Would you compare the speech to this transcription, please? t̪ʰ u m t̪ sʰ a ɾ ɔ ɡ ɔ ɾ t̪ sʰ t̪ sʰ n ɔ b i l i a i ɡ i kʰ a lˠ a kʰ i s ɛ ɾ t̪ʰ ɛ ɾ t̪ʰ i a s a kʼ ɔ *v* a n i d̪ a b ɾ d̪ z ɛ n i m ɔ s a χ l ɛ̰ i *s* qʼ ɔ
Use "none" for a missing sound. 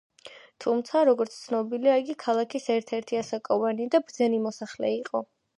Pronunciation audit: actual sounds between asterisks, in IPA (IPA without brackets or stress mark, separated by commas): v, none